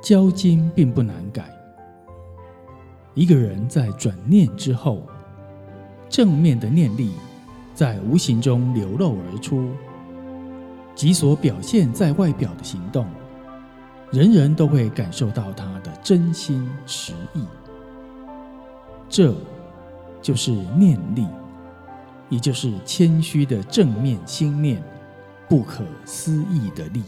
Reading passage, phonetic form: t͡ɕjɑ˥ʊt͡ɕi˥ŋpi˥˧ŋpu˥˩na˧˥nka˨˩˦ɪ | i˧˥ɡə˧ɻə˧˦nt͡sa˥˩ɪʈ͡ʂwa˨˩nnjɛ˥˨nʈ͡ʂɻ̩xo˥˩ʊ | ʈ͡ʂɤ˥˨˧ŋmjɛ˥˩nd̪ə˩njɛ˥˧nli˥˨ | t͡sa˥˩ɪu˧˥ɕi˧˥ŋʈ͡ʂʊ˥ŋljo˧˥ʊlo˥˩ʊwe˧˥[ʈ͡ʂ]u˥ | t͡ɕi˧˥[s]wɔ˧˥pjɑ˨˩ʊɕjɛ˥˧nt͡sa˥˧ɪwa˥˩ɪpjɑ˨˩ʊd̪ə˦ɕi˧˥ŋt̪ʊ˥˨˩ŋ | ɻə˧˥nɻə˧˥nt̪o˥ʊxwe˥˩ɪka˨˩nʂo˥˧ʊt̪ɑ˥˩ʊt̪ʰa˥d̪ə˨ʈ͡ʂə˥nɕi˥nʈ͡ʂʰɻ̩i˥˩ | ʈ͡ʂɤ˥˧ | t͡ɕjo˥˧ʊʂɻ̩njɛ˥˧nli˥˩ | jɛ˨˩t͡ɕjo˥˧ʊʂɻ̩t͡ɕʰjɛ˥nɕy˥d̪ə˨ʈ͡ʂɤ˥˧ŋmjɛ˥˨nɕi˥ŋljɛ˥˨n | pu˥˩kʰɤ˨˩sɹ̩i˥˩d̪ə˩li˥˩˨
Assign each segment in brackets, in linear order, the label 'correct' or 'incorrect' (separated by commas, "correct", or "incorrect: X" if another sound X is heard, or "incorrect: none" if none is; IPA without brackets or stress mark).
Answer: incorrect: ʈ͡ʂʰ, correct